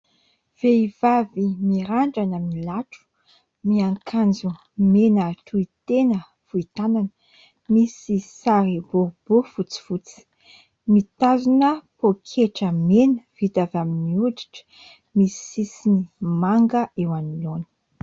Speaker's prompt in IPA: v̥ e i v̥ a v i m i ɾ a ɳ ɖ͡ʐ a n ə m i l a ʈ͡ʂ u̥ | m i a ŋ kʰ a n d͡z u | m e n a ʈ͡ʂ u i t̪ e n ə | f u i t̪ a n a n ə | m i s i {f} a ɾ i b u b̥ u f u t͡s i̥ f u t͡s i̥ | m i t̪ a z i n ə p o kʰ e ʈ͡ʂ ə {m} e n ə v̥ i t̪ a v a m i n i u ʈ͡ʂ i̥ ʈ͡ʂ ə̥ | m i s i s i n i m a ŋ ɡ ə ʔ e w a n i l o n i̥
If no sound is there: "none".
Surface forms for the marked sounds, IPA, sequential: s, m

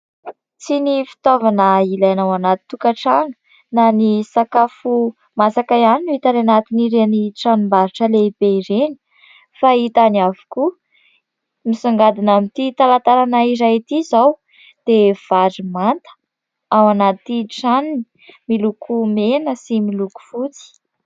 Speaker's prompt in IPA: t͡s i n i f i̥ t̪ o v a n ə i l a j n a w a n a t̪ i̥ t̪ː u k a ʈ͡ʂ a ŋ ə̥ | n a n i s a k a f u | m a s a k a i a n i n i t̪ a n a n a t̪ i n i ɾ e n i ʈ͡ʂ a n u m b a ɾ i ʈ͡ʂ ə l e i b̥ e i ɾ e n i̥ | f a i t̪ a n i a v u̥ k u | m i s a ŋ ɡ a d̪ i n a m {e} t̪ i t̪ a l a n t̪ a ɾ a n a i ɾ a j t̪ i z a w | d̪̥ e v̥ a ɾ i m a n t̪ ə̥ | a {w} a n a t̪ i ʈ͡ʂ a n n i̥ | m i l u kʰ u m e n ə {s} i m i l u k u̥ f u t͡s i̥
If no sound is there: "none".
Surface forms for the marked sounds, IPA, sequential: i, w, s

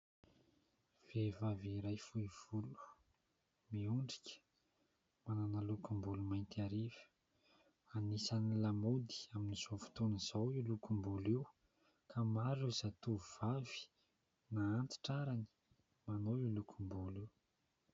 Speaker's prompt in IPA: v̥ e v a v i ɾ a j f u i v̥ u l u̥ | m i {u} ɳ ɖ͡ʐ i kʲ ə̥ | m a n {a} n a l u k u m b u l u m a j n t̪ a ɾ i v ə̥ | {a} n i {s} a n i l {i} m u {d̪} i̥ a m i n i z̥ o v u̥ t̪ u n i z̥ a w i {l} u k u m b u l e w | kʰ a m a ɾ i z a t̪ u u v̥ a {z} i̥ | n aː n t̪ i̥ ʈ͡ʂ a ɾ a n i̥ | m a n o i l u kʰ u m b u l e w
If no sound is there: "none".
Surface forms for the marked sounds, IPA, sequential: u, a, a, s, a, d̪, l, v

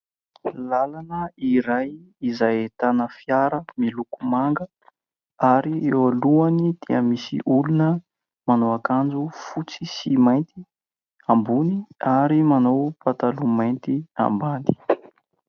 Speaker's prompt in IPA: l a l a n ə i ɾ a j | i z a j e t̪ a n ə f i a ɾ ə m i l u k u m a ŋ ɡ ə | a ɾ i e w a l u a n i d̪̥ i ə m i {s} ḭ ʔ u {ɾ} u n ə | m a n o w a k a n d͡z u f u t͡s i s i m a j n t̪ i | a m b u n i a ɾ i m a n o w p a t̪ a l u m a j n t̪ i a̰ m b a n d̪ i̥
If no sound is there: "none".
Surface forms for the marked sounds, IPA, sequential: s, l

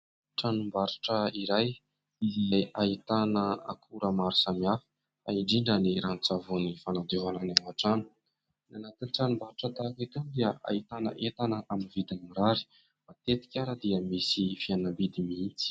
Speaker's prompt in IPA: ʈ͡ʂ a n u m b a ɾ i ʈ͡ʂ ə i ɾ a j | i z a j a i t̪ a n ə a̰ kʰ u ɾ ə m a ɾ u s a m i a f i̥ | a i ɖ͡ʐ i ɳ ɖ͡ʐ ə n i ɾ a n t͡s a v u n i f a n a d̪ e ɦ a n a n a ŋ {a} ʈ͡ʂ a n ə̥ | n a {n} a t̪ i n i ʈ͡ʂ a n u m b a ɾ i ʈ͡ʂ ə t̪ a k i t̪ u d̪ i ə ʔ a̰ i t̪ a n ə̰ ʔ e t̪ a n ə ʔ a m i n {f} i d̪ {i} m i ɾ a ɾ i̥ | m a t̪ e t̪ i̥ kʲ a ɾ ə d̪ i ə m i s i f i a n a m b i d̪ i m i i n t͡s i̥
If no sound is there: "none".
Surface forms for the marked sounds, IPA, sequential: a, n, v, a

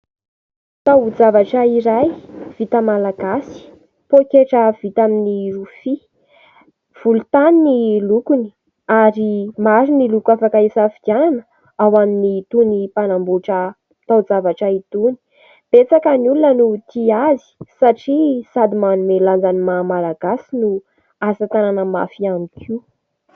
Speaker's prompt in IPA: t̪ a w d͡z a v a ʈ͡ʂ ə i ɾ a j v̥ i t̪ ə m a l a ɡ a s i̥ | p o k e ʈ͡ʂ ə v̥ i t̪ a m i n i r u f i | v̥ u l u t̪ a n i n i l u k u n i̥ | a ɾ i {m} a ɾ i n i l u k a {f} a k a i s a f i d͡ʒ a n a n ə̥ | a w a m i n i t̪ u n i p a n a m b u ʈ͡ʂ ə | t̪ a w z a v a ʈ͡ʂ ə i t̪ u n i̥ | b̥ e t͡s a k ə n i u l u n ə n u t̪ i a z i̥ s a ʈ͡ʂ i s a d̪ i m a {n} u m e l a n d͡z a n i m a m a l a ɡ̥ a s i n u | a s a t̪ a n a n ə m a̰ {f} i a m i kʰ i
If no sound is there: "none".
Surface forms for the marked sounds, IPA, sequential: m, f, n, f

